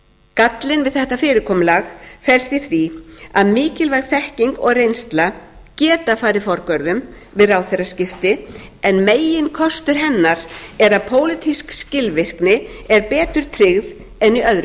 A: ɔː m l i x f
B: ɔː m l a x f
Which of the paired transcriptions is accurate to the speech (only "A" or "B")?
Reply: B